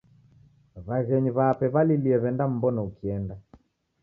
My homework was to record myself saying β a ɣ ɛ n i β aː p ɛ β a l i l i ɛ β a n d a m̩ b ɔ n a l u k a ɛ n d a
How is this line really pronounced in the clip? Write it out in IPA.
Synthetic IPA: β a ɣ ɛ ɲ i β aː p ɛ β a l i l i ɛ β ɛ n d a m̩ b ɔ n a u k i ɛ n d a